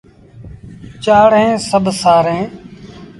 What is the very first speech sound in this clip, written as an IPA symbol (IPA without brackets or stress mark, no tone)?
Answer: t͡ʃ